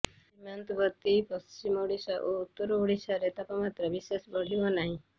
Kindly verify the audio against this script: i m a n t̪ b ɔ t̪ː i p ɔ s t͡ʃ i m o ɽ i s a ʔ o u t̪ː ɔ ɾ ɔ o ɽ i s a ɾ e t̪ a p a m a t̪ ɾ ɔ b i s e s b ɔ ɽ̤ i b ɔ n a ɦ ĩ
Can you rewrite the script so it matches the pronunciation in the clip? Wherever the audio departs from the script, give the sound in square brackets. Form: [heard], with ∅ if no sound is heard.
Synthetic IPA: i m a n t̪ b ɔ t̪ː i p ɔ s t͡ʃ i m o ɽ i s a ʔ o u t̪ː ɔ ɾ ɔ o ɽ i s a ɾ e t̪ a p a m a t̪ ɾ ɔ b i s e s b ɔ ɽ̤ i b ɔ n a ɦ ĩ

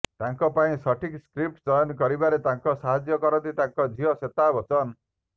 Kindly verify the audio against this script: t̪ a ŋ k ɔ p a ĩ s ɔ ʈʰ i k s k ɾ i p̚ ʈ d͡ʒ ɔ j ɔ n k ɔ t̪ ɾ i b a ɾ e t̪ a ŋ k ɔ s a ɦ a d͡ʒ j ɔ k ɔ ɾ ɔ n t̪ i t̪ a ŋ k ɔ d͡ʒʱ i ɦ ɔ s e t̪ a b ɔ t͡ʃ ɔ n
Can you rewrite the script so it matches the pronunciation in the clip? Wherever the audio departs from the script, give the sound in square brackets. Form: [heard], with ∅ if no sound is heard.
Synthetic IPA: t̪ a ŋ k ɔ p a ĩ s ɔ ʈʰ i k s k ɾ i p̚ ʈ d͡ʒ ɔ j ɔ n k ɔ [∅] ɾ i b a ɾ e t̪ a ŋ k ɔ s a ɦ a d͡ʒ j ɔ k ɔ ɾ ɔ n t̪ i t̪ a ŋ k ɔ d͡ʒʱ i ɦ ɔ s e t̪ a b ɔ t͡ʃ ɔ n

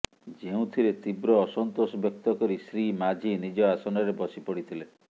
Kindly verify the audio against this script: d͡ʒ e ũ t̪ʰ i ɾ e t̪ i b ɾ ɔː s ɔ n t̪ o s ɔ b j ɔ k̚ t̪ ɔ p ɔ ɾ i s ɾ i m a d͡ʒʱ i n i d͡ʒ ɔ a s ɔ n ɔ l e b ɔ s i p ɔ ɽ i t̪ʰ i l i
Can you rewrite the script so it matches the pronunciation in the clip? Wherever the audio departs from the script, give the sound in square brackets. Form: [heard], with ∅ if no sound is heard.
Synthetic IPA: d͡ʒ e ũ t̪ʰ i ɾ e t̪ i b ɾ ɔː s ɔ n t̪ o s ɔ b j ɔ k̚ t̪ ɔ [k] ɔ ɾ i s ɾ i m a d͡ʒʱ i n i d͡ʒ ɔ a s ɔ n ɔ [ɾ] e b ɔ s i p ɔ ɽ i t̪ʰ i l [e]

